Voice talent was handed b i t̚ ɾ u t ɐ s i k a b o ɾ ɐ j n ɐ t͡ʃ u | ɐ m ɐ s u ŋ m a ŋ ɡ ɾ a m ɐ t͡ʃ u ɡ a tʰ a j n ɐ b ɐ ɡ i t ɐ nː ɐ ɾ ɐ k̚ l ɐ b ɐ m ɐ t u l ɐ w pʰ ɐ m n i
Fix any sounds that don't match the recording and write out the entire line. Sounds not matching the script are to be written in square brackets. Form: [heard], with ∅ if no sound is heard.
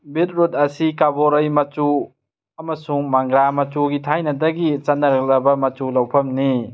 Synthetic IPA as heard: b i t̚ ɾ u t ɐ s i k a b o ɾ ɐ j [m] ɐ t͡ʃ u | ɐ m ɐ s u ŋ m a ŋ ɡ ɾ a m ɐ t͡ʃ u ɡ [i] tʰ a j n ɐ [d] ɐ ɡ i [t͡ʃ] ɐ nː ɐ ɾ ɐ k̚ l ɐ b ɐ m ɐ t u l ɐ w pʰ ɐ m n i

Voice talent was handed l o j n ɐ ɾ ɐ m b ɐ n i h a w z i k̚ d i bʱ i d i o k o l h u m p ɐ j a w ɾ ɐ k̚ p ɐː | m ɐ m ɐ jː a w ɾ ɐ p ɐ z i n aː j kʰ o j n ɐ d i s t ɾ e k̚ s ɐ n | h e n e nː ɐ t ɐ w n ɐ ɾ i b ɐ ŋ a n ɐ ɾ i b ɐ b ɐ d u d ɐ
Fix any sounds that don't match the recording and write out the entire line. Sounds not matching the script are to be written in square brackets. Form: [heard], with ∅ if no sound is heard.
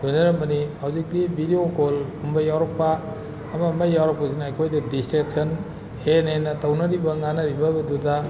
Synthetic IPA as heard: l o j n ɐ ɾ ɐ m b ɐ n i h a w z i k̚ d i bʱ i d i o k o l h u m [b] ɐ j a w ɾ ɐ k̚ p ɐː | m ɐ m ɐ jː a w ɾ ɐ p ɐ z i n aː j kʰ o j [d] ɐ d i s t ɾ e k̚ s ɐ n | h e n e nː ɐ t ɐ w n ɐ ɾ i b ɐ ŋ a n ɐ ɾ i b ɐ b ɐ d u d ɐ

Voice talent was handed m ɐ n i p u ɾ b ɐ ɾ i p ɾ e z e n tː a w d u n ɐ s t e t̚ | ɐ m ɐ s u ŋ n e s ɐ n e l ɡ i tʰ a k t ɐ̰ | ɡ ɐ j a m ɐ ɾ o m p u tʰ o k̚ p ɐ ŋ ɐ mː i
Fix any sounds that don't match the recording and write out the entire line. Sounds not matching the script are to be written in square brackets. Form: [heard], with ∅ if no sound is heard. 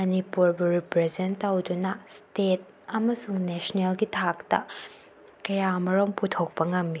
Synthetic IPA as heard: m ɐ n i p u ɾ b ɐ ɾ i p ɾ e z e n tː a w d u n ɐ s t e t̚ | ɐ m ɐ s u ŋ n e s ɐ n e l ɡ i tʰ a k t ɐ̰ | [k] ɐ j a m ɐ ɾ o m p u tʰ o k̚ p ɐ ŋ ɐ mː i

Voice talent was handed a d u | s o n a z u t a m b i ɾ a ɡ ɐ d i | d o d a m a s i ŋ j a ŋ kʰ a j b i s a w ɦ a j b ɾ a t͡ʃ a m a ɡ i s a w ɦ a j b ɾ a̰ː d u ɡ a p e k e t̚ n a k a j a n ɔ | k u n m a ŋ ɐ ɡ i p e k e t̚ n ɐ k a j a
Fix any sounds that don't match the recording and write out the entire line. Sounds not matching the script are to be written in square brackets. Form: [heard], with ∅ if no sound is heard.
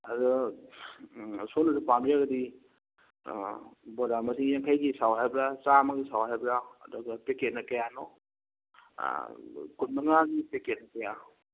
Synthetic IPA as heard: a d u | s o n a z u [p] a m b i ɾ a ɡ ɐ d i | [b] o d a m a s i ŋ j a ŋ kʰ a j [ɡ] i s a w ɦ a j b ɾ a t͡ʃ a m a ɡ i s a w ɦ a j b ɾ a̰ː d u ɡ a p e k e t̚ n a k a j a n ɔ | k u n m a ŋ [a] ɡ i p e k e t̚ n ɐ k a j a

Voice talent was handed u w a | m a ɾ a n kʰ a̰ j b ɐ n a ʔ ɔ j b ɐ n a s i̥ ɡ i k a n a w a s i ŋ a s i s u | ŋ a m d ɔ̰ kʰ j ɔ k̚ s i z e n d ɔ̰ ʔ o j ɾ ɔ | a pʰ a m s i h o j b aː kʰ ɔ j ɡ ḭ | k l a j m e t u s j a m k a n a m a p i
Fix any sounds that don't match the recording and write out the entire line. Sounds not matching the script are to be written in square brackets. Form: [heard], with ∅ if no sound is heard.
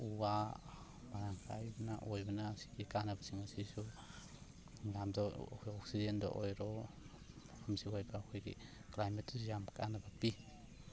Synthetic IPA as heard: u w a | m a ɾ a [ŋ] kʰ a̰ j b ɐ n a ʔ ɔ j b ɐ n a s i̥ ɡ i k a n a [b] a s i ŋ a s i s u | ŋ a m d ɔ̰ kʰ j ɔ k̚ s i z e n d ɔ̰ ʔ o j ɾ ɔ | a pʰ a m s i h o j b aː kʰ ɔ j ɡ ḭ | k l a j m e t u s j a m k a n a [b] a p i

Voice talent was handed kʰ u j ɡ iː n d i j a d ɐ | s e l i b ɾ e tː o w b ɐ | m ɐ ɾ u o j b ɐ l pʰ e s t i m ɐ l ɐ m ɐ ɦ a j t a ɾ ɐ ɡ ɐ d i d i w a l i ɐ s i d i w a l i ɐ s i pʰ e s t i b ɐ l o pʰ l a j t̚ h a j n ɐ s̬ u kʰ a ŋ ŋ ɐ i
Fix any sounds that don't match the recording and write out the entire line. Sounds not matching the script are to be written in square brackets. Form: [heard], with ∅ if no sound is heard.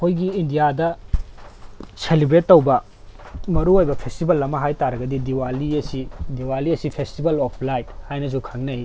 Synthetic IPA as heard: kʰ [o] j ɡ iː n d i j a d ɐ | s e l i b ɾ e tː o w b ɐ | m ɐ ɾ u o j b ɐ [∅] pʰ e s t i [b] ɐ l ɐ m ɐ ɦ a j t a ɾ ɐ ɡ ɐ d i d i w a l i ɐ s i d i w a l i ɐ s i pʰ e s t i b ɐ l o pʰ l a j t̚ h a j n ɐ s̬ u kʰ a ŋ [n] ɐ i

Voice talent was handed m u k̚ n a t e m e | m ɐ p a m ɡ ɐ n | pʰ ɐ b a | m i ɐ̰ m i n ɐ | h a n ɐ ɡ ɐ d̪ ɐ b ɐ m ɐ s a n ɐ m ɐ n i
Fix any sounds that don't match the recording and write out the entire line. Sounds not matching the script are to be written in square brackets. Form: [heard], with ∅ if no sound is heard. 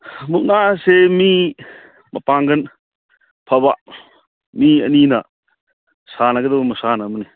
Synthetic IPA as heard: m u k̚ n a [s] e m [i] | m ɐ p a [ŋ] ɡ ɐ n | pʰ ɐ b a | m i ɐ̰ [n] i n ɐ | [s] a n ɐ ɡ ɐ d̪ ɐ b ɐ m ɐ s a n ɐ m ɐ n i

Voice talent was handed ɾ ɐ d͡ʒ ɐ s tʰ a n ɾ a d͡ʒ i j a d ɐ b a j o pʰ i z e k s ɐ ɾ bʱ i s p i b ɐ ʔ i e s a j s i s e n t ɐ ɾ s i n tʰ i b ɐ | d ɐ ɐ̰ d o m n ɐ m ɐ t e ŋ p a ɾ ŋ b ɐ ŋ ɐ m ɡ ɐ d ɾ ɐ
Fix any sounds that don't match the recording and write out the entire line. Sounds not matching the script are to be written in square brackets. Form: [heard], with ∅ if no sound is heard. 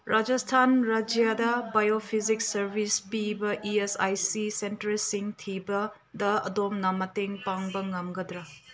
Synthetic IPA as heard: ɾ [a] d͡ʒ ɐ s tʰ a n ɾ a d͡ʒ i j a d ɐ b a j o pʰ i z [i] k s ɐ ɾ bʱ i s p i b ɐ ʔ i e s a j s i s e n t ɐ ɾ s i [ŋ] tʰ i b ɐ | d ɐ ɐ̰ d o m n ɐ m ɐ t e ŋ p a [∅] ŋ b ɐ ŋ ɐ m ɡ ɐ d ɾ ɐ

